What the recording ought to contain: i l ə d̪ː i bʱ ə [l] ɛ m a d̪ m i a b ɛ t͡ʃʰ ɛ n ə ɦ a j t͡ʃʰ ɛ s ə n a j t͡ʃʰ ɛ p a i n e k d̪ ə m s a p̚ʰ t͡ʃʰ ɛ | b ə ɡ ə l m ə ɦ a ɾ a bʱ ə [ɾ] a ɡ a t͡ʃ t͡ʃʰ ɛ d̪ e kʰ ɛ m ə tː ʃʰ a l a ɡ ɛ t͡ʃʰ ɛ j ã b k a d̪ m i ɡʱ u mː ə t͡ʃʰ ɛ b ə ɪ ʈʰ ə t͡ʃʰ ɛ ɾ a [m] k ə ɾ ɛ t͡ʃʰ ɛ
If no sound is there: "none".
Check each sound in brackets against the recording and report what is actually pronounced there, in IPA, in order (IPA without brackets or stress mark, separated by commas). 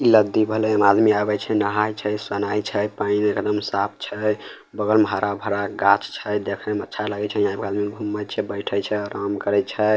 l, ɾ, m